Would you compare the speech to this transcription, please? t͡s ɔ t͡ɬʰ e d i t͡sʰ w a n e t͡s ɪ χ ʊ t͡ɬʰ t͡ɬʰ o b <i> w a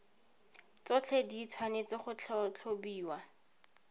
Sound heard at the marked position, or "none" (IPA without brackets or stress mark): iː